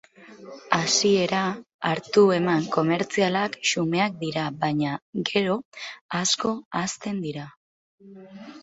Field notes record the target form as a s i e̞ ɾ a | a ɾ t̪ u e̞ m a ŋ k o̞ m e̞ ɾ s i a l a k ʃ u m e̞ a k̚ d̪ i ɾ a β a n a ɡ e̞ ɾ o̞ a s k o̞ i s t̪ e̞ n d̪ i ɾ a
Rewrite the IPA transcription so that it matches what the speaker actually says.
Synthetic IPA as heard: a s i e̞ ɾ a | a ɾ t̪ u e̞ m a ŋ k o̞ m e̞ ɾ t͡s i a l a k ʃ u m e̞ a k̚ d̪ i ɾ a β a ɲ a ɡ e̞ ɾ o̞ a s k o̞ a s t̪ e̞ n d̪ i ɾ a

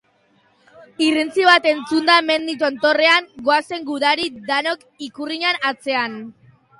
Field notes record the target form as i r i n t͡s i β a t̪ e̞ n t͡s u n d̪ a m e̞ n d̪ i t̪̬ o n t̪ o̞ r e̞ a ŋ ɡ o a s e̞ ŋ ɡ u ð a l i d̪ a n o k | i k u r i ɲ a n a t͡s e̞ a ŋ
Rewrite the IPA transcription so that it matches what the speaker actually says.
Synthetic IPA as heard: i r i n t͡s i β a t̪ e̞ n t͡s u n d̪ a m e̞ n d̪ i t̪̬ o n t̪ o̞ r e̞ a ŋ ɡ o a s e̞ ŋ ɡ u ð a ɾ i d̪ a n o k | i k u r i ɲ a n a t͡s e̞ a n

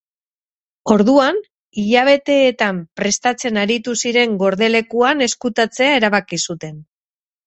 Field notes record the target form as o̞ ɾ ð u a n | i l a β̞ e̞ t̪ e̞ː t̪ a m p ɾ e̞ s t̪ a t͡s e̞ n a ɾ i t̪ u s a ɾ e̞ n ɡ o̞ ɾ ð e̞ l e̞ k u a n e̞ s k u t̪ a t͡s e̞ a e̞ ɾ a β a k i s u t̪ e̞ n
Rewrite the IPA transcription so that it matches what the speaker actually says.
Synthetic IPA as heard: o̞ ɾ ð u a n | i ʎ a β̞ e̞ t̪ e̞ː t̪ a m p ɾ e̞ s t̪ a t͡s e̞ n a ɾ i t̪ u s i ɾ e̞ ŋ ɡ o̞ ɾ ð e̞ l e̞ k u a n e̞ s k u t̪ a t͡s e̞ a e̞ ɾ a β a k i s u t̪ e̞ n

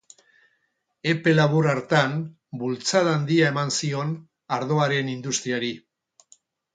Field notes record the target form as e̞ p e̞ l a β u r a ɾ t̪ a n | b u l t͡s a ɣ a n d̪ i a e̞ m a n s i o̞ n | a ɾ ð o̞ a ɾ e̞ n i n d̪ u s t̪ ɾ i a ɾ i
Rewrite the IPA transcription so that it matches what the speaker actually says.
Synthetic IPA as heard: e̞ p e̞ l a β u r a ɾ t̪ a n | b u l t͡s a ð a n d̪ i a e̞ m a n s i o̞ n | a ɾ ð o̞ a ɾ e̞ n i n d̪ u s t̪ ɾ i a ɾ i

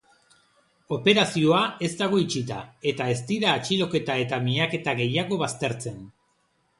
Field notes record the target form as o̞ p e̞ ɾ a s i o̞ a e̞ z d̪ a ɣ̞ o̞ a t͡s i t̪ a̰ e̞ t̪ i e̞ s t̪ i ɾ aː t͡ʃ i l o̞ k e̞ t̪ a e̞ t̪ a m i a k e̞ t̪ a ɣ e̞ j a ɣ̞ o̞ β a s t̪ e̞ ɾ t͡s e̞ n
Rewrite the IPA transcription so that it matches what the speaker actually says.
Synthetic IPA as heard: o̞ p e̞ ɾ a s i o̞ a e̞ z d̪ a ɣ̞ o̞ i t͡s i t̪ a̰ e̞ t̪ a e̞ s t̪ i ɾ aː t͡ʃ i l o̞ k e̞ t̪ a e̞ t̪ a m i a k e̞ t̪ a ɣ e̞ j a ɣ̞ o̞ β a s t̪ e̞ ɾ t͡s e̞ n

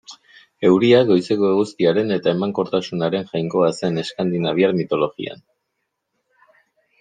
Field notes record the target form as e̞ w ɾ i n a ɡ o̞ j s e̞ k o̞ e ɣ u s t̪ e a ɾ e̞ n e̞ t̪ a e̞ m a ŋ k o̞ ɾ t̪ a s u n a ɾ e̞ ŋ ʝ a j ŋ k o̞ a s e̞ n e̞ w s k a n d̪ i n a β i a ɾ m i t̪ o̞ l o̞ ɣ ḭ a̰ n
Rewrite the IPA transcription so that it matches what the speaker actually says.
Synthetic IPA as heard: e̞ w ɾ i a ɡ o̞ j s e̞ k o̞ e ɣ u s t̪ i a ɾ e̞ n e̞ t̪ a e̞ m a ŋ k o̞ ɾ t̪ a s u n a ɾ e̞ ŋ ʝ a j ŋ k o̞ a s e̞ n e̞ s k a n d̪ i n a β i a ɾ m i t̪ o̞ l o̞ ɣ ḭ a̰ n

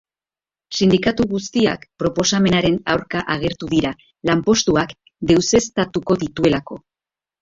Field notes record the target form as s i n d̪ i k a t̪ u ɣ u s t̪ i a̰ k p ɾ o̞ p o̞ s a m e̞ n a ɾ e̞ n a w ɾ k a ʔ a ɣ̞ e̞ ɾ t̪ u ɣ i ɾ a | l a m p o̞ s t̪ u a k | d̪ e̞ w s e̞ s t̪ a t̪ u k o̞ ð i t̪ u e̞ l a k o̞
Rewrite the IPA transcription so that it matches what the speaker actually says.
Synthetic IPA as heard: s i n d̪ i k a t̪ u ɣ u s t̪ i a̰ k p ɾ o̞ p o̞ s a m e̞ n a ɾ e̞ n a w ɾ k a ʔ a ɣ̞ e̞ ɾ t̪ u ð i ɾ a | l a m p o̞ s t̪ u a k | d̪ e̞ w s e̞ s t̪ a t̪ u k o̞ ð i t̪ u e̞ l a k o̞

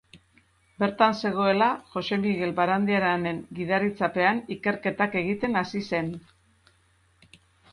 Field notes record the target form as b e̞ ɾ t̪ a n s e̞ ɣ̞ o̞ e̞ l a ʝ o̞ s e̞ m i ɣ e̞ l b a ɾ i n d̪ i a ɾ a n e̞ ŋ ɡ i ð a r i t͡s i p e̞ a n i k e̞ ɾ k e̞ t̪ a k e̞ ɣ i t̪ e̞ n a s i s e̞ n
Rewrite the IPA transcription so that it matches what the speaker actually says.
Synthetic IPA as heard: b e̞ ɾ t̪ a n s e̞ ɣ̞ o̞ e̞ l a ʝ o̞ s e̞ m i ɣ e̞ l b a ɾ a n d̪ i a ɾ a n e̞ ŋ ɡ i ð a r i t͡s a p e̞ a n i k e̞ ɾ k e̞ t̪ a k e̞ ɣ i t̪ e̞ n a s i s e̞ n

